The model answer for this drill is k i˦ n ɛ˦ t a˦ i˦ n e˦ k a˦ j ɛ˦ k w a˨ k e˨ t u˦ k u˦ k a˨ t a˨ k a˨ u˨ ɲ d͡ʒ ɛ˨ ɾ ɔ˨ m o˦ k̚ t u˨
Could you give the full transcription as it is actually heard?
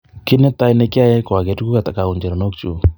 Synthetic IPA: k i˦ n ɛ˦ t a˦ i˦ n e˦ k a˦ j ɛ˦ k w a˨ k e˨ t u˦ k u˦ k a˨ t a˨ k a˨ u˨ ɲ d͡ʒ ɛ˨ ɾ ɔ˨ n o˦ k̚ t͡ʃ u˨